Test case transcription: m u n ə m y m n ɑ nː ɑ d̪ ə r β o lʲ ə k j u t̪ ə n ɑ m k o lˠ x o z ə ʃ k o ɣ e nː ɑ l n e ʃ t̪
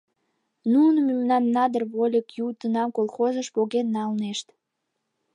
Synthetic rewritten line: n u n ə m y m n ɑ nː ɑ d̪ ə r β o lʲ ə k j u t̪ ə n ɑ m k o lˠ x o z ə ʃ p o ɣ e nː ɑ l n e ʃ t̪